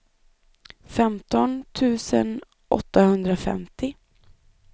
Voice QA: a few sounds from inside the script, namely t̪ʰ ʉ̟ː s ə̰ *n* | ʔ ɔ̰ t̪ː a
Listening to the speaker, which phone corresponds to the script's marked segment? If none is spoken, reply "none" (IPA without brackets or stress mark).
n